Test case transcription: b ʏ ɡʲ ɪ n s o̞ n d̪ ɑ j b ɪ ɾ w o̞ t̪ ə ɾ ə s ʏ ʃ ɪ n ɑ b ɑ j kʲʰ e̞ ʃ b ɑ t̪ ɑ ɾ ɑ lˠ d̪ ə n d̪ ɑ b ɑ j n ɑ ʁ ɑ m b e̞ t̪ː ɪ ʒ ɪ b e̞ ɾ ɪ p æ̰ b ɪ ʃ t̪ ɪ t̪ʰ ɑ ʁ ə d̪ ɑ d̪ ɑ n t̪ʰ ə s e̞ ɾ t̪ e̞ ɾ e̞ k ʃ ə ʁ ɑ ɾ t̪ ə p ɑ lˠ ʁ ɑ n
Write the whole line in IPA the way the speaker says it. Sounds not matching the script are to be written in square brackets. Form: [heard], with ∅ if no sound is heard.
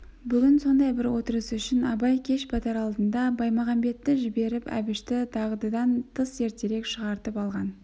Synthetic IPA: b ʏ ɡʲ ɪ n s o̞ n d̪ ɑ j b ɪ ɾ w o̞ t̪ ə ɾ ə s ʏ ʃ ɪ n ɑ b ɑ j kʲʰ e̞ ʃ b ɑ t̪ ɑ ɾ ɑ lˠ d̪ ə n d̪ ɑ b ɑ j [m] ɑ ʁ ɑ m b e̞ t̪ː ɪ ʒ ɪ b e̞ ɾ ɪ p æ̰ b ɪ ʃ t̪ ɪ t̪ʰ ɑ ʁ ə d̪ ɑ d̪ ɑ n t̪ʰ ə s e̞ ɾ t̪ e̞ ɾ e̞ k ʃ ə ʁ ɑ ɾ t̪ ə p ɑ lˠ ʁ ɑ n

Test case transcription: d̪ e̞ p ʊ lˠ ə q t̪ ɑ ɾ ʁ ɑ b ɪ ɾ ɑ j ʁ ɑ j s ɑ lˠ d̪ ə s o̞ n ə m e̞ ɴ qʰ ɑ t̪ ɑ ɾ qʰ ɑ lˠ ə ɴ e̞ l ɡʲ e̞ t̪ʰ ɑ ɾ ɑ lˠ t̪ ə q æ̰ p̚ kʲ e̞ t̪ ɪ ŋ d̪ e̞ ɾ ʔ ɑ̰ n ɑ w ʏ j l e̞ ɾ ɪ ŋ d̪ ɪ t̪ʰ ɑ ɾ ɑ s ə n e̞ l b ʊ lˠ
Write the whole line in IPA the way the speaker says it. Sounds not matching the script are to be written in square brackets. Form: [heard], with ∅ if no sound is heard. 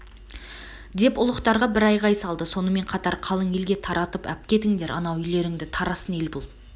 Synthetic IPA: d̪ e̞ p ʊ lˠ ə q t̪ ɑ ɾ ʁ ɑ b ɪ ɾ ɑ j ʁ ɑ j s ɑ lˠ d̪ ə s o̞ n ə m e̞ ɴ qʰ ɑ t̪ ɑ ɾ qʰ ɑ lˠ ə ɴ e̞ l ɡʲ e̞ t̪ʰ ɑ ɾ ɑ [∅] t̪ ə [p] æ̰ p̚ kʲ e̞ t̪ ɪ ŋ d̪ e̞ ɾ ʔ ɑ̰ n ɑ w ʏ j l e̞ ɾ ɪ ŋ d̪ ɪ t̪ʰ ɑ ɾ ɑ s ə n e̞ l b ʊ lˠ

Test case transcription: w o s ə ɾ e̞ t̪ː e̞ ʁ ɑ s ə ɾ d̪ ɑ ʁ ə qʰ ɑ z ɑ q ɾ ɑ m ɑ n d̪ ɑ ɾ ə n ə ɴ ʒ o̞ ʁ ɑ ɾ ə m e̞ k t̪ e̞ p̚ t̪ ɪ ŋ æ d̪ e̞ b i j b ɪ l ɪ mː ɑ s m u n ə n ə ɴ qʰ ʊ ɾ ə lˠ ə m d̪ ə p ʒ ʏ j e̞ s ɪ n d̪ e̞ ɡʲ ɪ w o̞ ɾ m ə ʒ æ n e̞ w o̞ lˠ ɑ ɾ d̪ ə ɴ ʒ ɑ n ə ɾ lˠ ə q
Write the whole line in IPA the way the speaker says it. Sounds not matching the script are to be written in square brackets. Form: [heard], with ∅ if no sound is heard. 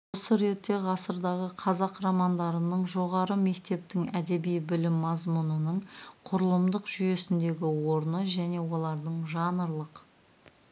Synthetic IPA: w o s ə ɾ e̞ t̪ː e̞ ʁ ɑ s ə ɾ d̪ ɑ ʁ ə qʰ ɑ z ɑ q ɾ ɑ m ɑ n d̪ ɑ ɾ ə n ə ɴ ʒ o̞ ʁ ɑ ɾ ə m e̞ k t̪ e̞ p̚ t̪ ɪ ŋ æ d̪ e̞ b i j b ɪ l ɪ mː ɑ [z] m u n ə n ə ɴ qʰ ʊ ɾ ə lˠ ə m d̪ ə [q] ʒ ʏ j e̞ s ɪ n d̪ e̞ ɡʲ ɪ w o̞ ɾ [n] ə ʒ æ n e̞ w o̞ lˠ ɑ ɾ d̪ ə ɴ ʒ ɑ n ə ɾ lˠ ə q

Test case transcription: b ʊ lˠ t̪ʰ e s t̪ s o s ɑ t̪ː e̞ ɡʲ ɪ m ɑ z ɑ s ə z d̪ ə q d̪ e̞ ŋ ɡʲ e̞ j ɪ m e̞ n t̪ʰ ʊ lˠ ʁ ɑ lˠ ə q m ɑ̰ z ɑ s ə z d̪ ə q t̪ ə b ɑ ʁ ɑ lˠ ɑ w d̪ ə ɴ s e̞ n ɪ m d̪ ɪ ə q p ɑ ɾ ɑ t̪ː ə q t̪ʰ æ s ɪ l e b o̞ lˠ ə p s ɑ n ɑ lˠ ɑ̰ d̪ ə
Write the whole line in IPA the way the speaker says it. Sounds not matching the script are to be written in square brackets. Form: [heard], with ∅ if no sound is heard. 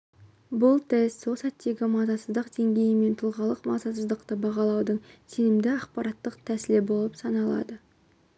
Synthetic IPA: b ʊ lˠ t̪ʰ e s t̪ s o s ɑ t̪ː e̞ ɡʲ ɪ m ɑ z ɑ s ə z d̪ ə q d̪ e̞ ŋ ɡʲ e̞ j ɪ m e̞ n t̪ʰ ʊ lˠ ʁ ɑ lˠ ə q m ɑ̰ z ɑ s ə z d̪ ə q t̪ ə b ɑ ʁ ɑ lˠ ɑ w d̪ ə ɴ s e̞ n ɪ m d̪ ɪ [ɑ] q p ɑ ɾ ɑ t̪ː ə q t̪ʰ æ s ɪ l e b o̞ lˠ ə p s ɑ n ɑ lˠ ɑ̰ d̪ ə

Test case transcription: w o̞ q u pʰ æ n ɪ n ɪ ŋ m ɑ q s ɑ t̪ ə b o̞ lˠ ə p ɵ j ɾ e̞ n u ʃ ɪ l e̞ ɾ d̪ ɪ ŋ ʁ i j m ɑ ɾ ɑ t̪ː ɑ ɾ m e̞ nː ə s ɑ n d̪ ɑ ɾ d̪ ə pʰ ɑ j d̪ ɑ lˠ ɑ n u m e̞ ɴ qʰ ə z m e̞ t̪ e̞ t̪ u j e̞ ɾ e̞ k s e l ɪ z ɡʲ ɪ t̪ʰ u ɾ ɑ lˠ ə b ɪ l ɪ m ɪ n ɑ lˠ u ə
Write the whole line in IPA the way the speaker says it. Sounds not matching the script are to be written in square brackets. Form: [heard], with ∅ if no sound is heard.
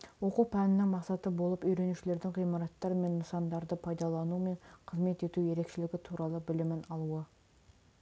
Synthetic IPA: w o̞ q u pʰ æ n ɪ n ɪ ŋ m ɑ q s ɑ t̪ ə b o̞ lˠ ə p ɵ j ɾ e̞ n u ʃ ɪ l e̞ ɾ d̪ ɪ ŋ ʁ i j m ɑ ɾ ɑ t̪ː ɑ ɾ m e̞ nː ə s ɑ n d̪ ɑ ɾ d̪ ə pʰ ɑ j d̪ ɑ lˠ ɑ n u m e̞ ɴ qʰ ə z m e̞ t̪ e̞ t̪ u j e̞ ɾ e̞ k [ʃ] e l ɪ [∅] ɡʲ ɪ t̪ʰ u ɾ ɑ lˠ ə b ɪ l ɪ m ɪ n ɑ lˠ u ə

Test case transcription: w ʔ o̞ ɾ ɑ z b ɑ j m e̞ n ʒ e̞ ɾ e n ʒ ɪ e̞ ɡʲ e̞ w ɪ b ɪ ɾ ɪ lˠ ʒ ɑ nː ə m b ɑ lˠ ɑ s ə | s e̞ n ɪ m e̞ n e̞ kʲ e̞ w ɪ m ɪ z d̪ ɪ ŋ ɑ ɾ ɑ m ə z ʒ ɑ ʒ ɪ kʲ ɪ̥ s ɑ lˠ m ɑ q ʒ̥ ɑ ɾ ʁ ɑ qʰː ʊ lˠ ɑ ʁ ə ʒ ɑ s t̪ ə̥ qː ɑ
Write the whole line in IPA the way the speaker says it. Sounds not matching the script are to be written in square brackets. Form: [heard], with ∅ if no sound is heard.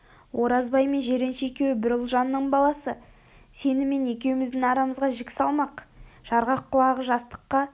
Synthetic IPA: w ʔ o̞ ɾ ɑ z b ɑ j m e̞ n ʒ e̞ ɾ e n [ʃ] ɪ e̞ [kʲ] e̞ w ɪ b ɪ ɾ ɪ lˠ ʒ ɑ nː ə [ɴ] b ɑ lˠ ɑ s ə | s e̞ n ɪ m e̞ n e̞ kʲ e̞ w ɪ m ɪ z d̪ ɪ ŋ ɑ ɾ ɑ m ə z [ʁ] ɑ ʒ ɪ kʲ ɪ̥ s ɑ lˠ m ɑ q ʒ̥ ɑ ɾ ʁ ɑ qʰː ʊ lˠ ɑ ʁ ə ʒ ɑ s t̪ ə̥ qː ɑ

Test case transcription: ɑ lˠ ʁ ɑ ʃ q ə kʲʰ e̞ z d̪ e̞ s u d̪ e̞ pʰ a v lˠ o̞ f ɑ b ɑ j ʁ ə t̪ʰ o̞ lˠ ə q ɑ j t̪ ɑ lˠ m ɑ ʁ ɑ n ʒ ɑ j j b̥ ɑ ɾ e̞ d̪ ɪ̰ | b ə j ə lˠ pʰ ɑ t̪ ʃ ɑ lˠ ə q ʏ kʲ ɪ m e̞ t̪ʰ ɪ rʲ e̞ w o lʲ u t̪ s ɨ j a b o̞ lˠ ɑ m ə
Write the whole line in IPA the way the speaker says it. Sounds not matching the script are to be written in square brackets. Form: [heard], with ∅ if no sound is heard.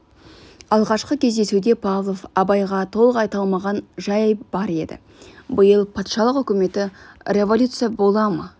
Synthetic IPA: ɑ lˠ ʁ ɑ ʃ q ə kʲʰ e̞ z d̪ e̞ s u d̪ e̞ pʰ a v lˠ o̞ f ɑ b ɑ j ʁ [ɑ] t̪ʰ o̞ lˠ ə q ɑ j t̪ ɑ lˠ m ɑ ʁ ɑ n ʒ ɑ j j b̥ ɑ ɾ e̞ d̪ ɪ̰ | b ə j ə lˠ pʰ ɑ t̪ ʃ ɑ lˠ ə q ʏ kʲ ɪ m e̞ [t̪] ɪ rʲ e̞ [v] o lʲ u t̪ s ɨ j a b o̞ lˠ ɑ m ə

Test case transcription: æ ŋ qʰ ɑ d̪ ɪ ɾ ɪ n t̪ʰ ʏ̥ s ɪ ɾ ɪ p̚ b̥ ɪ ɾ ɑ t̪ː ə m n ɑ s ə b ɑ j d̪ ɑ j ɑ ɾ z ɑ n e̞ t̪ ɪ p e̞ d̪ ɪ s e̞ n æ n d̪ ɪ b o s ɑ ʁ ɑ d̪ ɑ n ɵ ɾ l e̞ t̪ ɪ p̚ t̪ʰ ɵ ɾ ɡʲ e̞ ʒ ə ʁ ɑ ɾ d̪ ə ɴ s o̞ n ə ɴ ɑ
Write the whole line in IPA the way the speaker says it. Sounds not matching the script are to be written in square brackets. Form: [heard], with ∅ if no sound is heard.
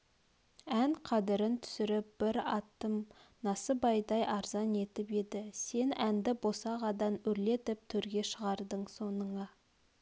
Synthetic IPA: æ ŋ qʰ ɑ d̪ ɪ ɾ ɪ n t̪ʰ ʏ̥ s ɪ ɾ ɪ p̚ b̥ ɪ ɾ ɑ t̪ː ə m n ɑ s ə b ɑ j d̪ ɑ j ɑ ɾ z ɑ n e̞ t̪ ɪ p e̞ d̪ ɪ s e̞ n æ n d̪ ɪ b o s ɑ ʁ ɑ d̪ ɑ n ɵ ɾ l e̞ t̪ ɪ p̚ t̪ʰ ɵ ɾ ɡʲ e̞ [ʃ] ə ʁ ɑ ɾ d̪ ə ɴ s o̞ n ə ɴ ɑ

